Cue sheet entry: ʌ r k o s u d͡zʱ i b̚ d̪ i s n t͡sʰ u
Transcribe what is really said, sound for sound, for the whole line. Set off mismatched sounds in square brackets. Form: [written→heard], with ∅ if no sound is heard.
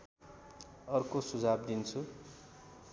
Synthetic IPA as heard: ʌ r k o s u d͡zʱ [i→a] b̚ d̪ i [s→∅] n t͡sʰ u